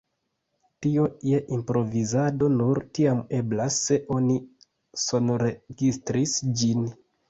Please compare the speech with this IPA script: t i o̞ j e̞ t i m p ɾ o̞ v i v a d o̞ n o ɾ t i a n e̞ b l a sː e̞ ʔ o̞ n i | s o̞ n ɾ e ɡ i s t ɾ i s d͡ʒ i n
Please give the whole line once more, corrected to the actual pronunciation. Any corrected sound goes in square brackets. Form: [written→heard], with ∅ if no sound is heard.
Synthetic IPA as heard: t i o̞ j e̞ [t→ʔ] i m p ɾ o̞ v i [v→z] a d o̞ n [o→u] ɾ t i a [n→m] e̞ b l a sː e̞ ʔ o̞ n i | s o̞ n ɾ e ɡ i s t ɾ i s d͡ʒ i n